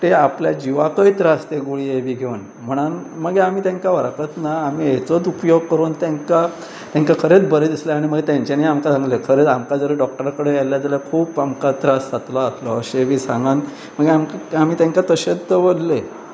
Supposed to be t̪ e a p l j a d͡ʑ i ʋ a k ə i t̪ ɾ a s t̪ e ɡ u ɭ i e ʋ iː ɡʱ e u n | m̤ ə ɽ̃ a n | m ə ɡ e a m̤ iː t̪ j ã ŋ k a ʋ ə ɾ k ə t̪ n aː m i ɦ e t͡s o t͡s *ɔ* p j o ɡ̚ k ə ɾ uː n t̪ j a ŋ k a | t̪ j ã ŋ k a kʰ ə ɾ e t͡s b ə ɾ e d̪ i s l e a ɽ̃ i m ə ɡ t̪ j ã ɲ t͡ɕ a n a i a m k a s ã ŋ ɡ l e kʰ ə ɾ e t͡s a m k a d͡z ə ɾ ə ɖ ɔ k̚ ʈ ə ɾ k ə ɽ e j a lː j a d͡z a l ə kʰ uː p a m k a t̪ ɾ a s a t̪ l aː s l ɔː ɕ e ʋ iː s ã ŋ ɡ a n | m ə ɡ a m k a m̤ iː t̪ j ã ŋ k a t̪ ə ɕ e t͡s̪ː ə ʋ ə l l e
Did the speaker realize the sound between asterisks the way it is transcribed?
no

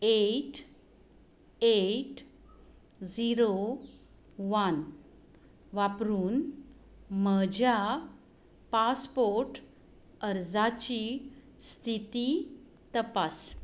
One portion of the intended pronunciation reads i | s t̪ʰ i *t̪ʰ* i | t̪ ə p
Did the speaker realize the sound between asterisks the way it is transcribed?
no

